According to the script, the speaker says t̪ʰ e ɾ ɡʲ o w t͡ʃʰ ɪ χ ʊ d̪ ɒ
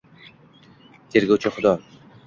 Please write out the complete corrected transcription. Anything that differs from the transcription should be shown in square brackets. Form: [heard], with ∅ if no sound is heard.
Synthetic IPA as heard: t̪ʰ e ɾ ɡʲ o w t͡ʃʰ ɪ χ ʊ d̪ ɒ